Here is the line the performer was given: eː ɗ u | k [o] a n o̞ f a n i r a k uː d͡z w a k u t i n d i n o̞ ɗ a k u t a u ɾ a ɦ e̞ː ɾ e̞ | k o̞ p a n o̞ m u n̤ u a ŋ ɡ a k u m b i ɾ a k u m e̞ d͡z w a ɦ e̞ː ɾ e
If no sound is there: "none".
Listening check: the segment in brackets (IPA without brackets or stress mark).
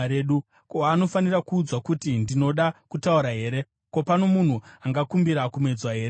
o